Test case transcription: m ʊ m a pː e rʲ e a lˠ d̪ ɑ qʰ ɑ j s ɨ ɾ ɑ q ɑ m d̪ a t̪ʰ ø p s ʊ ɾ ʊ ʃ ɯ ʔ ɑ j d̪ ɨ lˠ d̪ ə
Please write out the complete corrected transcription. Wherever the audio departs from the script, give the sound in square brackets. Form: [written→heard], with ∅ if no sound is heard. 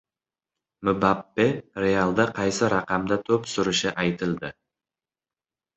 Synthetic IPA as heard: m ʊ [m→b] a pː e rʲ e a lˠ d̪ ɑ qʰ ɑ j s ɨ ɾ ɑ q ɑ m d̪ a t̪ʰ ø p s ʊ ɾ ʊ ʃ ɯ ʔ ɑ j [d̪→t̪] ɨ lˠ d̪ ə